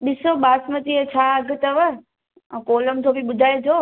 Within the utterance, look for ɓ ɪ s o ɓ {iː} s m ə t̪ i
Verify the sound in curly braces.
incorrect: aː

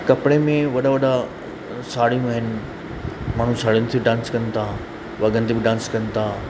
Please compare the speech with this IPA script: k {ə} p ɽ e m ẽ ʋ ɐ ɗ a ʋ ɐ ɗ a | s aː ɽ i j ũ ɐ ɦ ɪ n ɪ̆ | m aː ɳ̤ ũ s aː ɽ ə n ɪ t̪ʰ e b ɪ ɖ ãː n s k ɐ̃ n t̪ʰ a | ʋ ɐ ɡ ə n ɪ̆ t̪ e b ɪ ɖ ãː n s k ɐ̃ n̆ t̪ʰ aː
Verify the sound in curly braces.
incorrect: ɐ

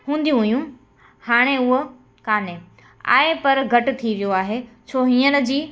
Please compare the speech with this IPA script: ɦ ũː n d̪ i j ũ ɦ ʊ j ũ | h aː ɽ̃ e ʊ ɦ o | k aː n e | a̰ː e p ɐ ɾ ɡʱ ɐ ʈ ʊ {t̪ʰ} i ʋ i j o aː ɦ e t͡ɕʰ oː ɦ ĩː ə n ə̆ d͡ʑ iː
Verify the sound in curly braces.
correct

